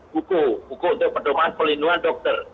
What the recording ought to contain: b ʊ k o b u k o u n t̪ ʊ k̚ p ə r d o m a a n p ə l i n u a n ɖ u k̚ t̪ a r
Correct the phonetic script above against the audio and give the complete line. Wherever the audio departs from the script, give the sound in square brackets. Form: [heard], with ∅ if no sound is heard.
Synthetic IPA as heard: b [u] k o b u k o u n t̪ ʊ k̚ p ə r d o m a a n p ə l i n u a n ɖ [ɔ] k̚ t̪ [ə] r